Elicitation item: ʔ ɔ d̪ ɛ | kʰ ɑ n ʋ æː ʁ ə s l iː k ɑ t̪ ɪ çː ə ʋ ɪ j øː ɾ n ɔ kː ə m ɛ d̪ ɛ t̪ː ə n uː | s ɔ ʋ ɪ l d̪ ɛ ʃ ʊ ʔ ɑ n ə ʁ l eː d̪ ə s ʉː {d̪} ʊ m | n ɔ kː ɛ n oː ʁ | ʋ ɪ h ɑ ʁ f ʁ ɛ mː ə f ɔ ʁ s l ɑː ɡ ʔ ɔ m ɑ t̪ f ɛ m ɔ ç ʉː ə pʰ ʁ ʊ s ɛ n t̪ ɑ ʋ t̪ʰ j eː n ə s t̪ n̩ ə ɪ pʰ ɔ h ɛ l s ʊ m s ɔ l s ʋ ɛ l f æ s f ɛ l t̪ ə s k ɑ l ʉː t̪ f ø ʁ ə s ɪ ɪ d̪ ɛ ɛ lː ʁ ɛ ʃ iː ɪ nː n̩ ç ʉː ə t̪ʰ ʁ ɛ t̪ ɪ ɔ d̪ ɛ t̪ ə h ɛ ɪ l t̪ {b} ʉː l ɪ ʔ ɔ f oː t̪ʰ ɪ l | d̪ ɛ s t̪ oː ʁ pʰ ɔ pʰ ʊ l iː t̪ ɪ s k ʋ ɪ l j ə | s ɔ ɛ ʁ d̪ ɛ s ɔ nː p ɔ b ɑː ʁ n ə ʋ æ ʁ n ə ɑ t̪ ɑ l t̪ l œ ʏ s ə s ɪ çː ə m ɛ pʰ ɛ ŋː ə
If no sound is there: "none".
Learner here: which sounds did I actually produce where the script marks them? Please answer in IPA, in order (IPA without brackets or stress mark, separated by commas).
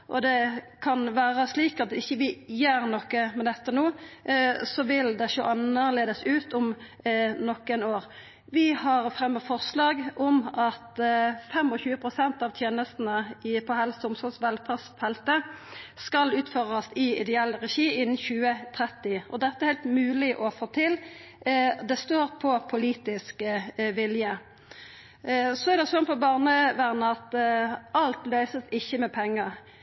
t̪, m